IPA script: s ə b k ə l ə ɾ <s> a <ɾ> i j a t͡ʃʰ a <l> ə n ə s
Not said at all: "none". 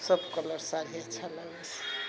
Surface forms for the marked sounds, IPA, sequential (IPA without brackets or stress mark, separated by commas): s, ɾ, l